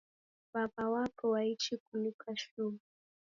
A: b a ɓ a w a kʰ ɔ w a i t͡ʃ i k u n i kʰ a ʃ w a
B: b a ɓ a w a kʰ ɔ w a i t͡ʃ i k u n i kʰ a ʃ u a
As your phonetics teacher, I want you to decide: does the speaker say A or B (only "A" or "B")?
B